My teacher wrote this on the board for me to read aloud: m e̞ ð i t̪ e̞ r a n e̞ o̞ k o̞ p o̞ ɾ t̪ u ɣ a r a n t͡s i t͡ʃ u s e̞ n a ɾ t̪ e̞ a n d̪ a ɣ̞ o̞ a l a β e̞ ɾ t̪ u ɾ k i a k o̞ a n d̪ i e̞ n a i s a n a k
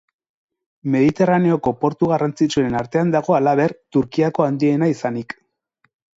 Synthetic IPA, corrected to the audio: m e̞ ð i t̪ e̞ r a n e̞ o̞ k o̞ p o̞ ɾ t̪ u ɣ a r a n t͡s i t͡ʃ u e̞ n a ɾ t̪ e̞ a n d̪ a ɣ̞ o̞ a l a β e̞ ɾ t̪ u ɾ k i a k o̞ a n d̪ i e̞ n a i s a n i k